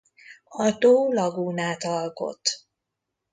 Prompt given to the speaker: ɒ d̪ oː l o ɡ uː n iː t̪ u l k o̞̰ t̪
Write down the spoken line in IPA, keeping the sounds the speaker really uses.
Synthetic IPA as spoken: ɒ t̪ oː l ɒ ɡ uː n aː t̪ ɒ l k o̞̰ t̪